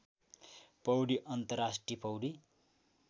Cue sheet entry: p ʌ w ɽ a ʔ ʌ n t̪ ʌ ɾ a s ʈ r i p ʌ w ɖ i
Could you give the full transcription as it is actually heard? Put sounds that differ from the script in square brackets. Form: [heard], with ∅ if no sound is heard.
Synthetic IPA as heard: p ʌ w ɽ [i] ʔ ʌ n t̪ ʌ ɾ a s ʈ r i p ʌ w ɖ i